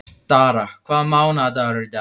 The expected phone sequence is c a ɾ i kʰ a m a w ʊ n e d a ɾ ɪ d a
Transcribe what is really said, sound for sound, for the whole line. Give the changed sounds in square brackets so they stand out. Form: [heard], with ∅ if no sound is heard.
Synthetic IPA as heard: [t] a ɾ [a] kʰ a m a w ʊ n [a] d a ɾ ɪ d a

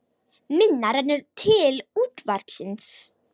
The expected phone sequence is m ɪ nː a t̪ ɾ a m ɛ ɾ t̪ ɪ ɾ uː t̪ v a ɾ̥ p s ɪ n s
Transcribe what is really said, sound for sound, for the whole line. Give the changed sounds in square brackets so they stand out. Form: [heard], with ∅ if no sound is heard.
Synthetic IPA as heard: m ɪ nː a [∅] ɾ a [n] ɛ ɾ [t̪ʰ] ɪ [l] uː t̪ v a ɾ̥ p s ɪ n s

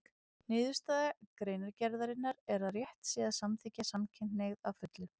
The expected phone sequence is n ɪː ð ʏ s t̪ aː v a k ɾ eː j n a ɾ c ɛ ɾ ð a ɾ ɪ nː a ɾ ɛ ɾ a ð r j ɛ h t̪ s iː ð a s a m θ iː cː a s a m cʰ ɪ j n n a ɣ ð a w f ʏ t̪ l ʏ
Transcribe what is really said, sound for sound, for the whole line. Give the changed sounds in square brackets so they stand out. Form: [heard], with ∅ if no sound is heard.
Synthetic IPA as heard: n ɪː ð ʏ s t̪ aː [ð] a k ɾ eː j n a ɾ c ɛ ɾ ð a ɾ ɪ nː a ɾ ɛ ɾ a ð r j ɛ h t̪ s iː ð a s a m θ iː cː a s a m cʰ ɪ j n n [e] ɣ ð a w f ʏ t̪ l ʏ

